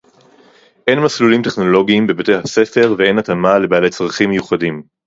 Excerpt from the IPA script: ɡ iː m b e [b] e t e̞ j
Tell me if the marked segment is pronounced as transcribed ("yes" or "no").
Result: yes